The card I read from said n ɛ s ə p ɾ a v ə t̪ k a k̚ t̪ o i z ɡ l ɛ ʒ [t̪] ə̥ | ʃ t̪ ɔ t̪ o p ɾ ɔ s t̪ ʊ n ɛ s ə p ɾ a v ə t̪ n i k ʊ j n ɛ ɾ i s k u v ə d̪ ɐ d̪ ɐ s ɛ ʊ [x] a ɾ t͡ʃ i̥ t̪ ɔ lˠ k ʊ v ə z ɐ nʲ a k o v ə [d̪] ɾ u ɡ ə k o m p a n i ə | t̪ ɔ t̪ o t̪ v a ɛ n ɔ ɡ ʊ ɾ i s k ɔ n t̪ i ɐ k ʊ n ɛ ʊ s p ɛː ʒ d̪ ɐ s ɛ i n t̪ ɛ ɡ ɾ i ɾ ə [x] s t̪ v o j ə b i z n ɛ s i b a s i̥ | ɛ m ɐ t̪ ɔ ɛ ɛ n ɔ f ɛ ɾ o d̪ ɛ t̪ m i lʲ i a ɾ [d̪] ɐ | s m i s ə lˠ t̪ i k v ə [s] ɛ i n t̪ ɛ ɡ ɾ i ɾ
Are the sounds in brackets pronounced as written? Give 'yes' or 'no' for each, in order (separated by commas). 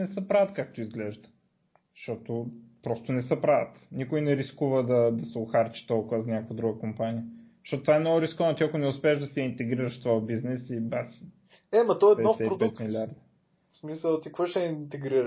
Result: no, yes, yes, no, yes, no